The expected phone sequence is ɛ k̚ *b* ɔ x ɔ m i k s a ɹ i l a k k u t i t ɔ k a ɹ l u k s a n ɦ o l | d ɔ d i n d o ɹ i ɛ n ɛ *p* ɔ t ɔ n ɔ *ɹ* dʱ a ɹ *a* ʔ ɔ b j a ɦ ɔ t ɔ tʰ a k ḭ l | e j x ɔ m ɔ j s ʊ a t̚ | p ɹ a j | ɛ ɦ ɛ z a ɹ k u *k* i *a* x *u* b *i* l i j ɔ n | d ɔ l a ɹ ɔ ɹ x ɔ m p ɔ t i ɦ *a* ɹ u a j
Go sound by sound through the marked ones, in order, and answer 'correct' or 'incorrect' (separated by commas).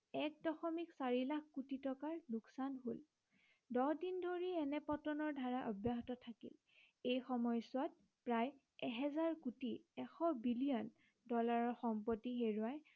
incorrect, correct, correct, correct, incorrect, incorrect, incorrect, correct, incorrect